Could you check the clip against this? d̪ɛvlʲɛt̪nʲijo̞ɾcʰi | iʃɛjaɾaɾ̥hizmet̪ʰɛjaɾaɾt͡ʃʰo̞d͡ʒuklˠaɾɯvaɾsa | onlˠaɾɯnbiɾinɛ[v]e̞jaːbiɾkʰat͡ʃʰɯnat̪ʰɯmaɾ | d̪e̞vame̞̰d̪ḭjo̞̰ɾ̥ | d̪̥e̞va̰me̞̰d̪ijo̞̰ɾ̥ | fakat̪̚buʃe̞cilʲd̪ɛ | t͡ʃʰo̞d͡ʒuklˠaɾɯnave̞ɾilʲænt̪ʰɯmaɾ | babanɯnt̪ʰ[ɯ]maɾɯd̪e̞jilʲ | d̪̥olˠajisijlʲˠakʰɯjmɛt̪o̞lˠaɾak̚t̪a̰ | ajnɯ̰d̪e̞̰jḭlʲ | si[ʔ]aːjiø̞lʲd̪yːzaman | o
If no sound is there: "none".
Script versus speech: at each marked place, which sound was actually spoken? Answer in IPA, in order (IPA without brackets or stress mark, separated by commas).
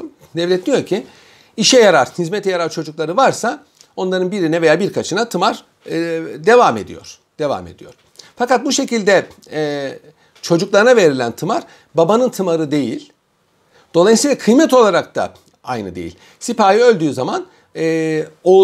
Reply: v, ɯ, p